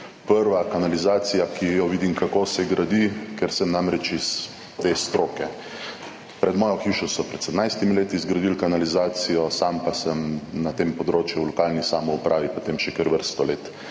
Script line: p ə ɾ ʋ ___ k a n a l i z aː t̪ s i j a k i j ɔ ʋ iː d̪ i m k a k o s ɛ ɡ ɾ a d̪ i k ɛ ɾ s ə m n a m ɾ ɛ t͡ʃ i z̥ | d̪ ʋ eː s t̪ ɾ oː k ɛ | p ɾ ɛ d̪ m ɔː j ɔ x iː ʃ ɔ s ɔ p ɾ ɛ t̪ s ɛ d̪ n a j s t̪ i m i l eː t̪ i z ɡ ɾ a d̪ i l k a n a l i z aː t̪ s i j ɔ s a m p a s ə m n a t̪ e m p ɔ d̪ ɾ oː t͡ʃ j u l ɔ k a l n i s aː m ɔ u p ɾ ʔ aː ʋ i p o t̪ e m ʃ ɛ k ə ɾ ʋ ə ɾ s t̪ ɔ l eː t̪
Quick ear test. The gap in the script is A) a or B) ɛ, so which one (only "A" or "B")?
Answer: A